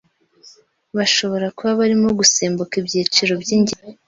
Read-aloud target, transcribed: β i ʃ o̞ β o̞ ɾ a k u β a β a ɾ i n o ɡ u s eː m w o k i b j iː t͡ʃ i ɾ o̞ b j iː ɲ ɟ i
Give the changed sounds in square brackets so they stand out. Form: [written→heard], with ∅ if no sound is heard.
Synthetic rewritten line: β [i→a] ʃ o̞ β o̞ ɾ a k u β a β a ɾ i [n→m] o ɡ u s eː m [w→b] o k i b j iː t͡ʃ i ɾ o̞ b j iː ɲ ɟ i